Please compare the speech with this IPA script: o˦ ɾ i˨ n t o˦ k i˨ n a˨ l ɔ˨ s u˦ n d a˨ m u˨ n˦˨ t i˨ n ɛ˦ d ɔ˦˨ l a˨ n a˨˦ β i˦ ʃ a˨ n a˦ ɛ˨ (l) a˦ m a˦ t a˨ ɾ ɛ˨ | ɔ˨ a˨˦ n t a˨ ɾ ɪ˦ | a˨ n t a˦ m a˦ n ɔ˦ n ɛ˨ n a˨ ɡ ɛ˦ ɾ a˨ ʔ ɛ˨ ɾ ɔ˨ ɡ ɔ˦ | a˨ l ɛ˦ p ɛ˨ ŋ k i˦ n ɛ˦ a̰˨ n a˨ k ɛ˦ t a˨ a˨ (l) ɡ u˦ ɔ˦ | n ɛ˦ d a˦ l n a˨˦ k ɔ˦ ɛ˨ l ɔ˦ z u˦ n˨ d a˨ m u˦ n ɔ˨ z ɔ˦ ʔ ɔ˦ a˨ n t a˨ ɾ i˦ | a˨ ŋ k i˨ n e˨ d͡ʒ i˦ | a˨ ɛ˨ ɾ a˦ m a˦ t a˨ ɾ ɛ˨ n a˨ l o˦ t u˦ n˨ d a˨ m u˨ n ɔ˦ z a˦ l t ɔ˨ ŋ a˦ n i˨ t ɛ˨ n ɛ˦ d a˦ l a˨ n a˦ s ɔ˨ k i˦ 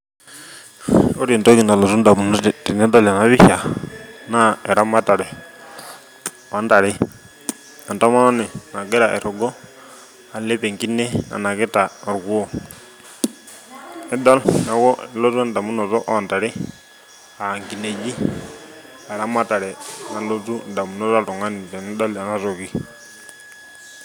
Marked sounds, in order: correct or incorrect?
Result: incorrect: ɾ, incorrect: ɾ

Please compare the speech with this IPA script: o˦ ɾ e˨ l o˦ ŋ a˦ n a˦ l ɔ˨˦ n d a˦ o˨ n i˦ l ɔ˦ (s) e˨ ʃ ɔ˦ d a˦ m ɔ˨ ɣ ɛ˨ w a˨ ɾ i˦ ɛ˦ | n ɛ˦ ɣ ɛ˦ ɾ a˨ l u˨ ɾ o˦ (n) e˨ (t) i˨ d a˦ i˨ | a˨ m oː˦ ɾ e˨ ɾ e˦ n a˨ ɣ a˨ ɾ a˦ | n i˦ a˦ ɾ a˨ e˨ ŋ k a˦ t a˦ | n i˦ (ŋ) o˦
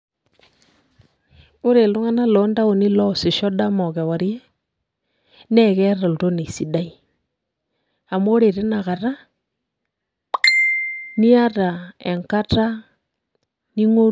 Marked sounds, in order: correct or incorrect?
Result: correct, correct, incorrect: s, correct

